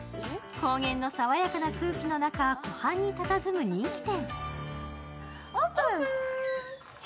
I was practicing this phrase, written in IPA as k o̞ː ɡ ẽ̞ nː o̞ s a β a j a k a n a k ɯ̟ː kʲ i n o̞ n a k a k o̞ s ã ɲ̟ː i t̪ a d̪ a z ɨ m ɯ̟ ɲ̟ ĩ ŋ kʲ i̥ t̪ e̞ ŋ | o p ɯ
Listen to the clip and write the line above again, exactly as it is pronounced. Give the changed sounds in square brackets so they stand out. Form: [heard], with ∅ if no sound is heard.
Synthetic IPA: k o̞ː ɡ ẽ̞ nː o̞ s a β a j a k a n a k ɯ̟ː kʲ i n o̞ n a k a k o̞ [h] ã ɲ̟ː i t̪ a [t̪] a z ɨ m ɯ̟ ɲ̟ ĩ ŋ kʲ i̥ t̪ [ẽ̞] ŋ | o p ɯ